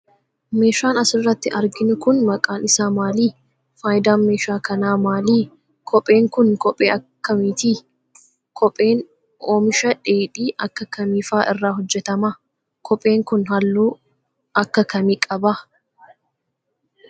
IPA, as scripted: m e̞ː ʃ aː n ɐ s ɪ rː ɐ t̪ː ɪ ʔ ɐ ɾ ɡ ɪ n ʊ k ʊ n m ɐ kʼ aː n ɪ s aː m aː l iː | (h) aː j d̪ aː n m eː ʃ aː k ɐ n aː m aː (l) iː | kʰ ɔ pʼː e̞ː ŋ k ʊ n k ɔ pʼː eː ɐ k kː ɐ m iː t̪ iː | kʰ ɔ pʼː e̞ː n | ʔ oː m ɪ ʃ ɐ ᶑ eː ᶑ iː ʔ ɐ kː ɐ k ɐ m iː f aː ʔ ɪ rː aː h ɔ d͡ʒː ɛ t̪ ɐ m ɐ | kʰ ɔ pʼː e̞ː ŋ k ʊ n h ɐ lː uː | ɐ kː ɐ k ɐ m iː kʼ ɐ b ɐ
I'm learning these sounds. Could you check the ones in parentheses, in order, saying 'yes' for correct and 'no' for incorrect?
no, yes

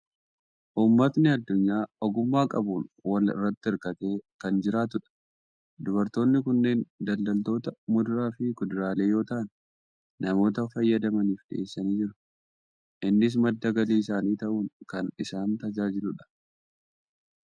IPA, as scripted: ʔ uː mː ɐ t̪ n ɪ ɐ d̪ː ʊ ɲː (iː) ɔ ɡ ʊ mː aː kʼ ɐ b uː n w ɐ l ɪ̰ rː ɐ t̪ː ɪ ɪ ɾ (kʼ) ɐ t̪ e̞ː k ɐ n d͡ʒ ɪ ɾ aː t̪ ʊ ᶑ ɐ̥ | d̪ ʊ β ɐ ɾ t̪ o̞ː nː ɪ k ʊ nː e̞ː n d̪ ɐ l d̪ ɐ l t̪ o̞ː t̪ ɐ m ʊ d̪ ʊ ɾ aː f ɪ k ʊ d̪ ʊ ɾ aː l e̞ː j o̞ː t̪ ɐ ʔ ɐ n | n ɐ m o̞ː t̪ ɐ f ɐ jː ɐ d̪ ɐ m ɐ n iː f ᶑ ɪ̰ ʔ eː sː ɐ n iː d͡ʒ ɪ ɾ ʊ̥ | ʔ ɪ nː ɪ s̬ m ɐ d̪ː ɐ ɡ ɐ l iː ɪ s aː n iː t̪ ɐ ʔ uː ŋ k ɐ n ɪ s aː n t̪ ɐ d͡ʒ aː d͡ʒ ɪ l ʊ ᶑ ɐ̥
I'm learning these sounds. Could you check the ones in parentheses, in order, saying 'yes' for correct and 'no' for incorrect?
no, no

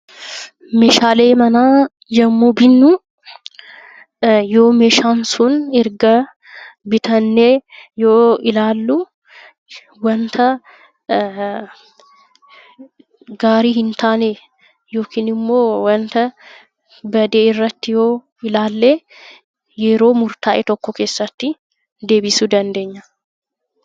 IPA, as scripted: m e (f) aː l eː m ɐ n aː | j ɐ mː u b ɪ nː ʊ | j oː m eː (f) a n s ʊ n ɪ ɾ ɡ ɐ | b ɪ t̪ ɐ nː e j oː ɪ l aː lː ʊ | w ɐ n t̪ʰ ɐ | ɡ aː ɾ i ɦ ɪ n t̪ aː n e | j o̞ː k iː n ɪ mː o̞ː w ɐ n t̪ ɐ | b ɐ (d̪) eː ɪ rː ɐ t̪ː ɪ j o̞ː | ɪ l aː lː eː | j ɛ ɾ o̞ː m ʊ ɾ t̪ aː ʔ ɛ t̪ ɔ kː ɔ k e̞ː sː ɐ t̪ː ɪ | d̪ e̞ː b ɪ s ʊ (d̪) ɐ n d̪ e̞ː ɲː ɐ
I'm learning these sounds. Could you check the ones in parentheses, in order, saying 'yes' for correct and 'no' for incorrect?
no, no, yes, yes

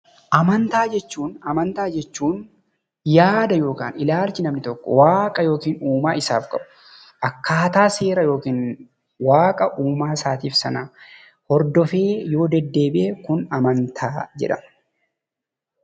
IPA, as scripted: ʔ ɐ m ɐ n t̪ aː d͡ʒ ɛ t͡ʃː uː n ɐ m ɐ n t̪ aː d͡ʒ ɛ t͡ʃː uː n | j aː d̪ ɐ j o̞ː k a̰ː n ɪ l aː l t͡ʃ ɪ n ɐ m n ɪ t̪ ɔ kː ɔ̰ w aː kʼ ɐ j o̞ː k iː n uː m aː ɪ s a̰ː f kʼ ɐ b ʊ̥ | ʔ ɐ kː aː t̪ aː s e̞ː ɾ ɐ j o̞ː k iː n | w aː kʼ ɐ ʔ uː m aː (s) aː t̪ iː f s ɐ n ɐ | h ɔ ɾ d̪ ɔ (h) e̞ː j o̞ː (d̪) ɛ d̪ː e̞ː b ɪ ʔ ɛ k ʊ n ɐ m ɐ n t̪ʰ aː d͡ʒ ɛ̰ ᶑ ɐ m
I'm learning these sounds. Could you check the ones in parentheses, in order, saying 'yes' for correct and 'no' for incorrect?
yes, no, yes

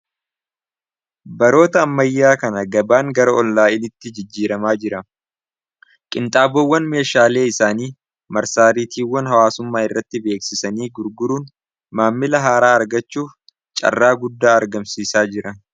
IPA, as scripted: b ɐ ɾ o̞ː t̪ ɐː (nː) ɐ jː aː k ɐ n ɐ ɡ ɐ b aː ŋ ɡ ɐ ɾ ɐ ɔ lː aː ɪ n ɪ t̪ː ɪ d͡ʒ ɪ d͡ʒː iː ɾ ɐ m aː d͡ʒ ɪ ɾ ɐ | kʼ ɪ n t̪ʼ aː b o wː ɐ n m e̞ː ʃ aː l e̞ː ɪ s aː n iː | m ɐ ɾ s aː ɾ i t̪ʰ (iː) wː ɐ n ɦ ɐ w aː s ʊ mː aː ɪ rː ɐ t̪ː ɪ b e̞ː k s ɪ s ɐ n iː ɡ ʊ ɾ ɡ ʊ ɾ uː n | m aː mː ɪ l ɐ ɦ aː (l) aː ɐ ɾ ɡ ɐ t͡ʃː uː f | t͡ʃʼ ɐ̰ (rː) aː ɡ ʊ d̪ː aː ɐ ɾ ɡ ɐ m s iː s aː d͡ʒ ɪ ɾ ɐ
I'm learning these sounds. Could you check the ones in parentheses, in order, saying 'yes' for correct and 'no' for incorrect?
no, yes, no, yes

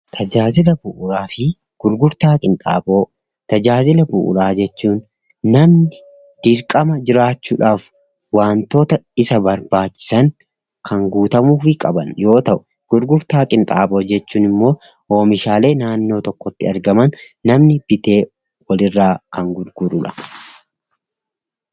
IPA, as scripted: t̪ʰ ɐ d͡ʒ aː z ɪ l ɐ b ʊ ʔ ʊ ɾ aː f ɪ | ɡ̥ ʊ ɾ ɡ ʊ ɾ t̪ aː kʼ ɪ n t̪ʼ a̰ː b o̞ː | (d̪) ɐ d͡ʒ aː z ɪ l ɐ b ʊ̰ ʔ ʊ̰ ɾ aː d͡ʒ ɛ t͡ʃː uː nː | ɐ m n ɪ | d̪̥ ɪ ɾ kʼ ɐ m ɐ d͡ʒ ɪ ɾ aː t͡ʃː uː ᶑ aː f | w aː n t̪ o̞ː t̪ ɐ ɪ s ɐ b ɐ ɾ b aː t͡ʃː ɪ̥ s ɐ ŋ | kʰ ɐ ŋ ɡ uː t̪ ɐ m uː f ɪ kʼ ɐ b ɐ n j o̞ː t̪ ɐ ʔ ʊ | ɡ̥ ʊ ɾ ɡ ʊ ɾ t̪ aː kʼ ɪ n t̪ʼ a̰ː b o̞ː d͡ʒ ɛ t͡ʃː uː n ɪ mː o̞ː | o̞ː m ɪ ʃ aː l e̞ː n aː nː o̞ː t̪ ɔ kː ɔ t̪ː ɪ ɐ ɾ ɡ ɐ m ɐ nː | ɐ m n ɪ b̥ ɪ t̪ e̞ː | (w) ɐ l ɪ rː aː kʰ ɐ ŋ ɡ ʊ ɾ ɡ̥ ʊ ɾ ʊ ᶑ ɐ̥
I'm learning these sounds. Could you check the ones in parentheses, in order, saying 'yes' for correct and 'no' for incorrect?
no, yes

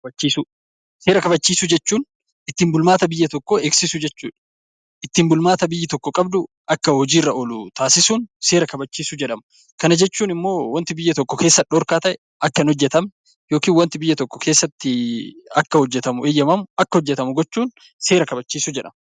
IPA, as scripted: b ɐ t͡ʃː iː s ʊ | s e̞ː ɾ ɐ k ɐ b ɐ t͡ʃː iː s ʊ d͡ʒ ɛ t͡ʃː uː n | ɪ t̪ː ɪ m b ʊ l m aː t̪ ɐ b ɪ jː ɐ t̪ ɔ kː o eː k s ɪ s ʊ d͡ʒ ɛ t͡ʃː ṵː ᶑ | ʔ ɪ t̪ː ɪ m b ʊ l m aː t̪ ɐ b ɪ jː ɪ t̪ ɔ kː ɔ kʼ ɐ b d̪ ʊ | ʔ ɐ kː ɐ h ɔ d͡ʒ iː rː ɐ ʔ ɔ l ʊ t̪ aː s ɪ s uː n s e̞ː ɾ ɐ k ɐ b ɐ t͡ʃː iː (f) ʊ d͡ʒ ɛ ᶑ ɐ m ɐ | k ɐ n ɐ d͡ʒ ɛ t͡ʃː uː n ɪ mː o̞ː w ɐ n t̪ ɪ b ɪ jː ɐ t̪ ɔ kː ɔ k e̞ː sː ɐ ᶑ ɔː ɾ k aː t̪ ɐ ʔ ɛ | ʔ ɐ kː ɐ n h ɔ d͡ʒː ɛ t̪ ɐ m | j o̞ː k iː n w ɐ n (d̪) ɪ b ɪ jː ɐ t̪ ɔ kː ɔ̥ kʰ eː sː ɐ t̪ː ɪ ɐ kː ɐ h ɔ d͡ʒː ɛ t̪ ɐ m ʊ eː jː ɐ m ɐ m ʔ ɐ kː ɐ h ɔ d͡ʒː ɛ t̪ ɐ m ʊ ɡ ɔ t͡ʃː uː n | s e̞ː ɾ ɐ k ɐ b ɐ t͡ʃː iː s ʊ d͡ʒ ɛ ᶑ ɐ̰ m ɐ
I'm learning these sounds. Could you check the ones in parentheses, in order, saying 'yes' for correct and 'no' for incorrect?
no, no

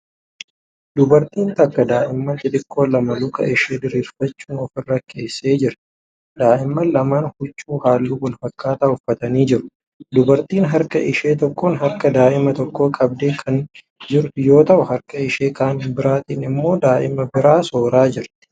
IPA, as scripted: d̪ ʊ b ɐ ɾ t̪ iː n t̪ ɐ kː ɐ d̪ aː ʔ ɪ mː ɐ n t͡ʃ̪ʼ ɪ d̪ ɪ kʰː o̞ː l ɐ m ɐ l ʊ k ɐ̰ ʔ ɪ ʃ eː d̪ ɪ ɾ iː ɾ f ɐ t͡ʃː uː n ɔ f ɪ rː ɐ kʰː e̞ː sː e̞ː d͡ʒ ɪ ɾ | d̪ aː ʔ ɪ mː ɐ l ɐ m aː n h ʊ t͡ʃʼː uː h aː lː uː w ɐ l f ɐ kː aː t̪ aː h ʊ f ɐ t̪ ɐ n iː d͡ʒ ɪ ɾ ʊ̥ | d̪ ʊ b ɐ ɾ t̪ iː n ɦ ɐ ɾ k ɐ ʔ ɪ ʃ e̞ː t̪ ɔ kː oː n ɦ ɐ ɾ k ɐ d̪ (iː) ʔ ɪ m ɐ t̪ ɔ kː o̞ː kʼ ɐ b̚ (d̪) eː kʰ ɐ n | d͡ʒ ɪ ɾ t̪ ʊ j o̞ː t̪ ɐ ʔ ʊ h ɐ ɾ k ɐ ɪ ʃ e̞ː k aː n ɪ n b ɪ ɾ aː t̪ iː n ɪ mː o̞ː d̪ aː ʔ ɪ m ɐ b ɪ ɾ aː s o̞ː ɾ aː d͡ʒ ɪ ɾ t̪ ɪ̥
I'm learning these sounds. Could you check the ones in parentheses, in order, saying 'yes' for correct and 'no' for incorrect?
no, yes

